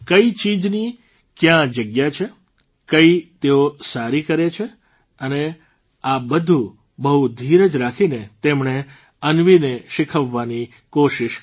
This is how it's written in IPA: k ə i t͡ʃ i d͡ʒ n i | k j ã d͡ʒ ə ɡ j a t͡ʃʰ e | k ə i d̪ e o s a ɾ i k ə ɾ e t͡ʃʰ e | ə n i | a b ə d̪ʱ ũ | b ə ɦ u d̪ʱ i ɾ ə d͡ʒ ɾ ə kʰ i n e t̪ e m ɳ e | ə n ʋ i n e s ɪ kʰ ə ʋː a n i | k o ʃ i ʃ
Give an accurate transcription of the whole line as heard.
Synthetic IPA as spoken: k ə i t͡ʃ i d͡ʒ n i | k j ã d͡ʒ ə ɡ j a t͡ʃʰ e | k ə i t̪ e o s a ɾ i k ə ɾ e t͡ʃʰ e | ə n e | a b ə d̪ʱ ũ | b ə ɦ u d̪ʱ i ɾ ə d͡ʒ ɾ a kʰ i n e t̪ e m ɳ e | ə n ʋ i n e ʃ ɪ kʰ ə ʋː a n i | k o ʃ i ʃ

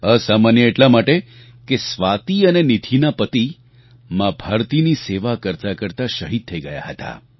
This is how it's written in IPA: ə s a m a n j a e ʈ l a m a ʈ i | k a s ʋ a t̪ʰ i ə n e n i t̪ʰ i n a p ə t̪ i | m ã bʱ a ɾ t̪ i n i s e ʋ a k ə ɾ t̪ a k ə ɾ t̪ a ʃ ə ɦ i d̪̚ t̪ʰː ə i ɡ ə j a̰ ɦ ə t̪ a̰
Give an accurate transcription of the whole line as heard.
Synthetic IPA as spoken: ə s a m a n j ə e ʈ l a m a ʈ e | k e s ʋ a t̪ i ə n e n i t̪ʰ i n a p ə t̪ i | m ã bʱ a ɾ t̪ i n i s e ʋ a k ə ɾ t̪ a k ə ɾ t̪ a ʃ ə ɦ i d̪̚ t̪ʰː ə i ɡ ə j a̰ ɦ ə t̪ a̰

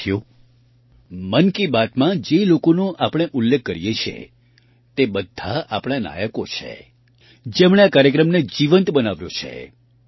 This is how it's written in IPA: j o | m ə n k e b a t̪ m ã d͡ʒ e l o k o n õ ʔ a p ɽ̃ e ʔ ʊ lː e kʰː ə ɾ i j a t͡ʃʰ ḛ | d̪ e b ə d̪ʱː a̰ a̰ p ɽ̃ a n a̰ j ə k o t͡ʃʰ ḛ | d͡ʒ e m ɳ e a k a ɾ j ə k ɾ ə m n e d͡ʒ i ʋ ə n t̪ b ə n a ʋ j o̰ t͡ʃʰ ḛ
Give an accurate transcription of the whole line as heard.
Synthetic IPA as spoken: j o | m ə n k i b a t̪ m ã d͡ʒ e l o k o n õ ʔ a p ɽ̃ e ʔ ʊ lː e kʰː ə ɾ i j e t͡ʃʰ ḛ | t̪ e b ə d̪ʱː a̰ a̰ p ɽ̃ a n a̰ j ə k o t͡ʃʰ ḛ | d͡ʒ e m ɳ e a k a ɾ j ə k ɾ ə m n e d͡ʒ i ʋ ə n t̪ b ə n a ʋ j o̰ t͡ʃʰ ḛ

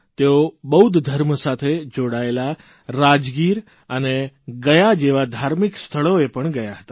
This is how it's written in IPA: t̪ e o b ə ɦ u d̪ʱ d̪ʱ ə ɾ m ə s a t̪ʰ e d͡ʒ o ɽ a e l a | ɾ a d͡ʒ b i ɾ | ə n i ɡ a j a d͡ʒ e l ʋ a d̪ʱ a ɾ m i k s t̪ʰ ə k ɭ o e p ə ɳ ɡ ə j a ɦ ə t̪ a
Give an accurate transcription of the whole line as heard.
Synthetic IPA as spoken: t̪ e o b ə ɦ u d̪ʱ d̪ʱ ə ɾ m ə s a t̪ʰ e d͡ʒ o ɽ a e l a | ɾ a d͡ʒ ɡ i ɾ | ə n e ɡ ə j a d͡ʒ e ʋ a d̪ʱ a ɾ m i k s t̪ʰ ə ɭ o e p ə ɳ ɡ ə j a ɦ ə t̪ a

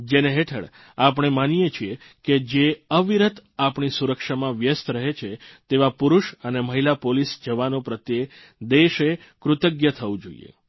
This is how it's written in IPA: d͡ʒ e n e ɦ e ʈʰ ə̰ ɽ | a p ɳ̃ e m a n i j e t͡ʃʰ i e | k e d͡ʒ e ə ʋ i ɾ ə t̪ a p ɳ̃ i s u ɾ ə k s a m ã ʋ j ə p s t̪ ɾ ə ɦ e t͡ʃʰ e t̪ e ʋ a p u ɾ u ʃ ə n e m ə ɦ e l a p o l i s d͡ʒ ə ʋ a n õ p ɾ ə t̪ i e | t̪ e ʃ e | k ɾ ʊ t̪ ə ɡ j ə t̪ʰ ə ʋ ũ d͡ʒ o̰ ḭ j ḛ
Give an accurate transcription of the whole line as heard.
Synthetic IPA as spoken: d͡ʒ e n e ɦ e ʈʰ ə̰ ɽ | a p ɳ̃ e m a n i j e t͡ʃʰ i e | k e d͡ʒ e ə ʋ i ɾ ə t̪ a p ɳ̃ i s u ɾ ə k ʃ a m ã ʋ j ə s t̪ ɾ ə ɦ e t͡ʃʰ e t̪ e ʋ a p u ɾ u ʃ ə n e m ə ɦ i l a p o l i s d͡ʒ ə ʋ a n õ p ɾ ə t̪ j e | d̪ e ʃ e | k ɾ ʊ t̪ ə ɡ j ə t̪ʰ ə ʋ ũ d͡ʒ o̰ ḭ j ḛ

